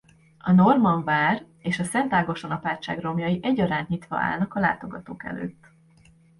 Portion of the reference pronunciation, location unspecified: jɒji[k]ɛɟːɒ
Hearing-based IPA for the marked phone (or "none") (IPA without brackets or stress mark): ʔ